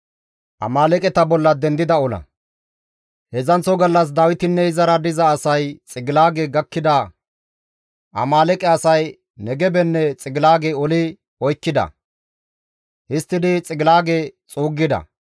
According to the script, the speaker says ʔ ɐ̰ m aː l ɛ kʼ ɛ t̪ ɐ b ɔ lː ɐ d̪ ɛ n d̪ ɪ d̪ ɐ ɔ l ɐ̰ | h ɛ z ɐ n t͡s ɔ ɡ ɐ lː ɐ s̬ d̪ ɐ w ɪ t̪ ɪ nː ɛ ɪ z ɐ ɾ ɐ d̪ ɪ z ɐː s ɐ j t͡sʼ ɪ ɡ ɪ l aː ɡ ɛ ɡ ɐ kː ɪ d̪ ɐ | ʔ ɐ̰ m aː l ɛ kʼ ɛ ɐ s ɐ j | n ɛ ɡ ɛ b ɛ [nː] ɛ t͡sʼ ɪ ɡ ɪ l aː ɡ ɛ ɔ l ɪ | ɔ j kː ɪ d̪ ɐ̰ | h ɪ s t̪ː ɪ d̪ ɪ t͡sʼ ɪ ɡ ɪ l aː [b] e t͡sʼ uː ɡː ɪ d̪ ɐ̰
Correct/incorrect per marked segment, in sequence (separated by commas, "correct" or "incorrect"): correct, incorrect